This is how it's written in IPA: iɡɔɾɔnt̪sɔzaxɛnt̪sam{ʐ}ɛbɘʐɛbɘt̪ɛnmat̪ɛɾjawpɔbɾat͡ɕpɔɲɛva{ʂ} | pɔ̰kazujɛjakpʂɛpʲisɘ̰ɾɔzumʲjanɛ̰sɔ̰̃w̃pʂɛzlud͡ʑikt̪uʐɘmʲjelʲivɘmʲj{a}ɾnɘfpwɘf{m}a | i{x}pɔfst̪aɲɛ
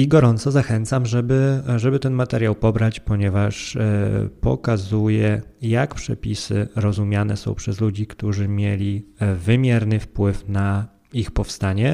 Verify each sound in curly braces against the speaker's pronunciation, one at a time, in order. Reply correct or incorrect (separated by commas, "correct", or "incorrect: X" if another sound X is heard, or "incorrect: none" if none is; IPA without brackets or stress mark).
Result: correct, correct, incorrect: ɛ, incorrect: n, correct